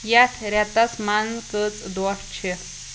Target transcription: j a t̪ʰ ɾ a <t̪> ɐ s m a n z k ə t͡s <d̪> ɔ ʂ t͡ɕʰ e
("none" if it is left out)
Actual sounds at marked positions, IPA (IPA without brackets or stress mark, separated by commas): t̪, d̪